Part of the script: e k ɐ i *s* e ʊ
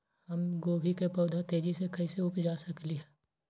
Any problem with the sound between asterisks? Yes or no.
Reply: no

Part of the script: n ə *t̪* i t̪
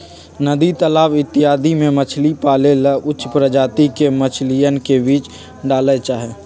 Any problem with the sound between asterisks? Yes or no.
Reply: yes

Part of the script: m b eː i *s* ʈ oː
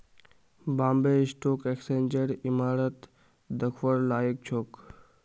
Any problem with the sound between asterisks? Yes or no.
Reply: no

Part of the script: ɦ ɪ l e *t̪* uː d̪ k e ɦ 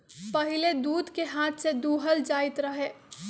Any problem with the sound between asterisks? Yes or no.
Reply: yes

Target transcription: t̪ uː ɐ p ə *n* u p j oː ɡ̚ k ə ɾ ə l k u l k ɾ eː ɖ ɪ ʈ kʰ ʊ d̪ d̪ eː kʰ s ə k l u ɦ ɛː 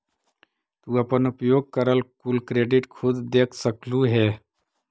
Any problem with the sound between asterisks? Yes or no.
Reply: no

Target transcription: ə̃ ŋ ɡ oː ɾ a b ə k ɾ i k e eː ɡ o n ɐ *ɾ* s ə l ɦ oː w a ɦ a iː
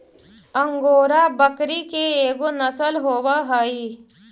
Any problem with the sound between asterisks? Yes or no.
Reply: yes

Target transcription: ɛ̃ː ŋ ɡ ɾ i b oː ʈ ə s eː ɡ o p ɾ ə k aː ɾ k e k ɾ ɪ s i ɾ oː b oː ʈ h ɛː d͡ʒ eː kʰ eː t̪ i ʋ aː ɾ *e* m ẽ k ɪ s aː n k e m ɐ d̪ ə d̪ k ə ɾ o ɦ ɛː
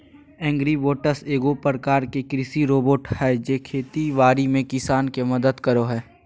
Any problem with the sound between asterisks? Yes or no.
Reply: yes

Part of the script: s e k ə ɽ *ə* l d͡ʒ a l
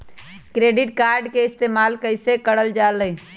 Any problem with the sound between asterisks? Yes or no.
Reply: no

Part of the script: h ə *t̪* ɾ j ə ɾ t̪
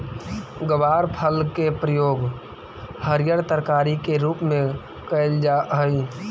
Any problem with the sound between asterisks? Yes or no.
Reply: yes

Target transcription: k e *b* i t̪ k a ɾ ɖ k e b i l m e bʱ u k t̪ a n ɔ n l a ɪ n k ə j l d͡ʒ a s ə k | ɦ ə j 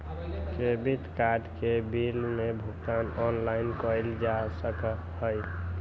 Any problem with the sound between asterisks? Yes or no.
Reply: no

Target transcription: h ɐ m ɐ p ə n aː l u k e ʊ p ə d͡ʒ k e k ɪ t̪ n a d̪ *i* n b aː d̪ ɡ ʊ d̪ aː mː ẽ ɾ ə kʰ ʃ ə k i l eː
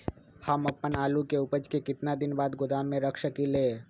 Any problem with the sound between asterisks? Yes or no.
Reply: yes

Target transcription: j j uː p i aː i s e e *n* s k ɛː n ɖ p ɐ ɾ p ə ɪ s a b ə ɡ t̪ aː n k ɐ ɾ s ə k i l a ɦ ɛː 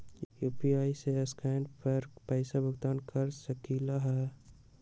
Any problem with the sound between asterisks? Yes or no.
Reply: yes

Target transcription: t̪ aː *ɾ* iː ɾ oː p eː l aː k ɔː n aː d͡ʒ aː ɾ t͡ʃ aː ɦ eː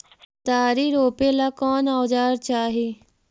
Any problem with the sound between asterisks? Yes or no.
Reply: no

